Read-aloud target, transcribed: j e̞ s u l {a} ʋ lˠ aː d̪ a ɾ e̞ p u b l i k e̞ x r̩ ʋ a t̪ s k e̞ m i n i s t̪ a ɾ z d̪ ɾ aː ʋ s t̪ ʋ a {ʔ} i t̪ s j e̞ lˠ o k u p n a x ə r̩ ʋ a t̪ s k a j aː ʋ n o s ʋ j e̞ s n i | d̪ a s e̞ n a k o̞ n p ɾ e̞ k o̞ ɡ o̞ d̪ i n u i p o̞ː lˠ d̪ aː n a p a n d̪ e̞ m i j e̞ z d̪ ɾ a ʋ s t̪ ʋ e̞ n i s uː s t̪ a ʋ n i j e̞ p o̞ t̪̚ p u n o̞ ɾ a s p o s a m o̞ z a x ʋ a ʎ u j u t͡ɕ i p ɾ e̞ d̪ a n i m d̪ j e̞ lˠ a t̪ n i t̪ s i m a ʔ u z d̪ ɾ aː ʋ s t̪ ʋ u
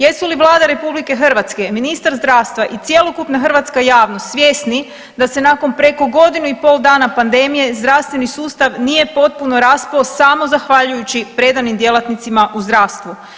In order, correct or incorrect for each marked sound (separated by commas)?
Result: incorrect, correct